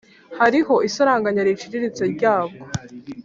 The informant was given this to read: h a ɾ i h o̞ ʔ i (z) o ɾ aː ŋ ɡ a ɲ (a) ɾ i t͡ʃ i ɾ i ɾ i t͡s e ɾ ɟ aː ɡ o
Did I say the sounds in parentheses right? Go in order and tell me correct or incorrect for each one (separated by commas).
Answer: incorrect, correct